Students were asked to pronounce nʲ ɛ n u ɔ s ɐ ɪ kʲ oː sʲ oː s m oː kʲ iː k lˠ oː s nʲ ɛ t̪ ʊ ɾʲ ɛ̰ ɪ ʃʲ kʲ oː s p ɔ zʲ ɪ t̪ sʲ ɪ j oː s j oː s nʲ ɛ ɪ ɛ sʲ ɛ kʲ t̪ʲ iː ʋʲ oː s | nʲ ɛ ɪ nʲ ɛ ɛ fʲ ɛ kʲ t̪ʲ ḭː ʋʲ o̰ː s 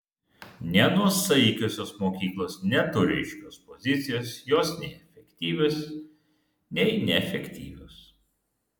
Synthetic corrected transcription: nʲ ɛ n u ɔ s ɐ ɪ kʲ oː sʲ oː s m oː kʲ iː k lˠ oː s nʲ ɛ t̪ ʊ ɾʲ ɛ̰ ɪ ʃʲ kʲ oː s p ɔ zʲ ɪ t̪ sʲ ɪ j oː s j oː s nʲ ɛ ɪ ɛ fʲ ɛ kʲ t̪ʲ iː ʋʲ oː s | nʲ ɛ ɪ nʲ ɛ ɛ fʲ ɛ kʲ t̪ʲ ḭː ʋʲ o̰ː s